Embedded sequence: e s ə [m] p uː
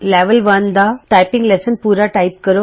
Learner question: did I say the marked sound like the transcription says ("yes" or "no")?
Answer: no